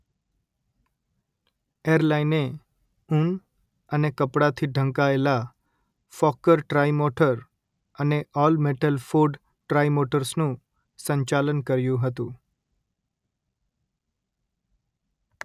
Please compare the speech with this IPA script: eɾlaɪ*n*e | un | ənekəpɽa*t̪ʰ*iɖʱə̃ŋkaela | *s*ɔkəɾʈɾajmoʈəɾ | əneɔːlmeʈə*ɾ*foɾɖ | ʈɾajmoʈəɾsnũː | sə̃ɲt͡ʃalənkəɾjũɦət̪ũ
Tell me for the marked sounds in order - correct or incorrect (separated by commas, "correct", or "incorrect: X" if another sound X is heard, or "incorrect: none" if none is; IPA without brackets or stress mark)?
correct, correct, incorrect: f, incorrect: l